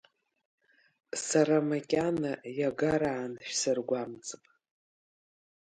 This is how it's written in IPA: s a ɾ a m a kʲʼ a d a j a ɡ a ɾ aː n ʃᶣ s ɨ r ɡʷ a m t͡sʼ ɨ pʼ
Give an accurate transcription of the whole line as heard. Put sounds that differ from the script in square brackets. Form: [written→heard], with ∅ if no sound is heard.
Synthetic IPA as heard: s a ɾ a m a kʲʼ a [d→n] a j a ɡ a ɾ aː n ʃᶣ s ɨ r ɡʷ a m t͡sʼ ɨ pʼ